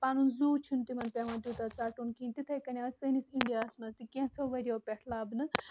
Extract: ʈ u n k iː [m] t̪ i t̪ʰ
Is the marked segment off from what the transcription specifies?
yes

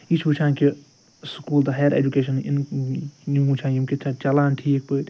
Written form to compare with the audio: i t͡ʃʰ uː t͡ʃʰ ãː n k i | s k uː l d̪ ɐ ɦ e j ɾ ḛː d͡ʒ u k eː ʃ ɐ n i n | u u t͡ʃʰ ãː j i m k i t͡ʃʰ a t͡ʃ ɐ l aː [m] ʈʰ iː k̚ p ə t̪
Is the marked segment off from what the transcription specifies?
yes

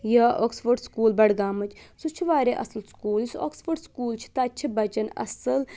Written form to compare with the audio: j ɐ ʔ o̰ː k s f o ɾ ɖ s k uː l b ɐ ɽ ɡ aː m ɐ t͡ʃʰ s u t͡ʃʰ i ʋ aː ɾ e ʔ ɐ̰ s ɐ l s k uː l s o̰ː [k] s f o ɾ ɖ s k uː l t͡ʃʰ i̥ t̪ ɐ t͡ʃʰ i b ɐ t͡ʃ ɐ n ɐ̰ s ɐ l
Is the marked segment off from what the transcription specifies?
no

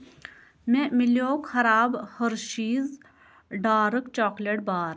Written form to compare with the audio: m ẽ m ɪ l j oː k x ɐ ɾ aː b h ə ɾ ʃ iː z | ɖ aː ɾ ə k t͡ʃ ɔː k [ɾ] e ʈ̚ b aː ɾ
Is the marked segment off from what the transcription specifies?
yes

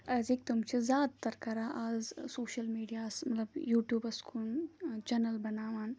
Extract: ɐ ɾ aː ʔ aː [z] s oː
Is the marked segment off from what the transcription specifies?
no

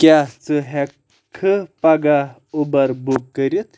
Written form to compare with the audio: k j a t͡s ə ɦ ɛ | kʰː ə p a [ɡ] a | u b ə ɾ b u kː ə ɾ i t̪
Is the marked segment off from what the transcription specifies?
no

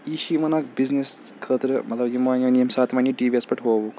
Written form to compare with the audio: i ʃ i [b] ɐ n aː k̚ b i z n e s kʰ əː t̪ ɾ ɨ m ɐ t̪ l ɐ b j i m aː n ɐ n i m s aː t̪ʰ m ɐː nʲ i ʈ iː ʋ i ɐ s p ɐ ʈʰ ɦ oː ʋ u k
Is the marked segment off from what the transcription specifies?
yes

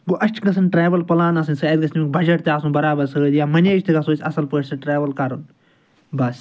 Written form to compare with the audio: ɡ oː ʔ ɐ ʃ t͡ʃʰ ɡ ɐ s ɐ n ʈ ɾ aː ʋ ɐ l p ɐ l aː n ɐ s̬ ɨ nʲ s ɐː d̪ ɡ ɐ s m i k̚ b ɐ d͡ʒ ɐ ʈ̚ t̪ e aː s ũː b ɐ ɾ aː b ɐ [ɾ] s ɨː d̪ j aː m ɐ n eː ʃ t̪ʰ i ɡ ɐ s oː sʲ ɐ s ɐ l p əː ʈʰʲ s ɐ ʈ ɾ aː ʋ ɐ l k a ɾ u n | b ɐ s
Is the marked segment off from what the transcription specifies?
no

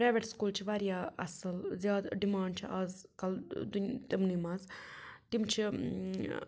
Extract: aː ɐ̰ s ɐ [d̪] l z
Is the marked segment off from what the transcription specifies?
yes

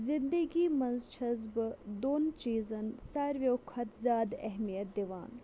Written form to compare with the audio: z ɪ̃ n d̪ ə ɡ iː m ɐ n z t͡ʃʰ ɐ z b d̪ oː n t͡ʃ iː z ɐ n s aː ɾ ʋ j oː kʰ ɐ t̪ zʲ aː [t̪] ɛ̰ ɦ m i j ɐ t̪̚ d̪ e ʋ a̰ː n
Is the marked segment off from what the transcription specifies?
yes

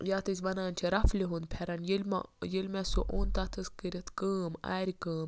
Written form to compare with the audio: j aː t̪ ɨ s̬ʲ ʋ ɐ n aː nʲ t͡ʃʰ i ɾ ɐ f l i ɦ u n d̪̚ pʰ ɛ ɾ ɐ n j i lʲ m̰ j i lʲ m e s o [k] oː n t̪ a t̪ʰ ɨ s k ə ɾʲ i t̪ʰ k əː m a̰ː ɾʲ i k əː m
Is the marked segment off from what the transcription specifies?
yes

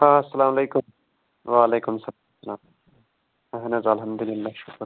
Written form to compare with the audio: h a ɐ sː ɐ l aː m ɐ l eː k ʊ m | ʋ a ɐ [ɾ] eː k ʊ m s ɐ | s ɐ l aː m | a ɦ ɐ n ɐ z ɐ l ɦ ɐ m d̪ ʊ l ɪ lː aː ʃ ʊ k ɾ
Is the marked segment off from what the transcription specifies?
yes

